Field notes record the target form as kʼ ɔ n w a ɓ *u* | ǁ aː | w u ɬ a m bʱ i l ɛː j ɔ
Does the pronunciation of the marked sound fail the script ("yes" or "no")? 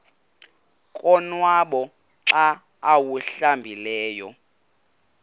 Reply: yes